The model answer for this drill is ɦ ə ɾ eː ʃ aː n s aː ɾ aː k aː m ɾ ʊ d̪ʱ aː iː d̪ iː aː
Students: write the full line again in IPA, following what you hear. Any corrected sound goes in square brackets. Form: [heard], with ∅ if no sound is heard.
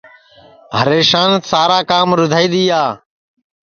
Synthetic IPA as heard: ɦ ə ɾ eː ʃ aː n s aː ɾ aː k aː m ɾ ʊ d̪ʱ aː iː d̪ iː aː